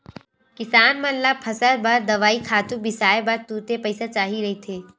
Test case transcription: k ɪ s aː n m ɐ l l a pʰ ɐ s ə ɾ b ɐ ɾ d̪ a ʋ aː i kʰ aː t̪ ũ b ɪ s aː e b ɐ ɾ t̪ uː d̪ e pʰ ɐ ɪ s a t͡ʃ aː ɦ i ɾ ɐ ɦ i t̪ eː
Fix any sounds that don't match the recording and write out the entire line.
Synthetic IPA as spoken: k ɪ s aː n m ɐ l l a pʰ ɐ s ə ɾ b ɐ ɾ d̪ ɐ ʋ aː i kʰ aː t̪ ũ b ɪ s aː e b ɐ ɾ t̪ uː t̪ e p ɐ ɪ s a t͡ʃ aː ɦ i ɾ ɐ ɦ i t̪ʰ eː